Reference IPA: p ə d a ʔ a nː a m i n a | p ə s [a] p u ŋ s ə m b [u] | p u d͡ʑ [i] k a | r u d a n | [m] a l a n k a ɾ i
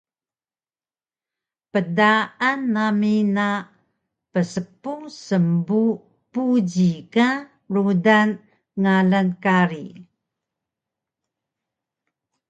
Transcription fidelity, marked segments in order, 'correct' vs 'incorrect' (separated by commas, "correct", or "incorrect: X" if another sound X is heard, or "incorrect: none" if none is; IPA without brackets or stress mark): incorrect: ə, correct, correct, incorrect: ŋ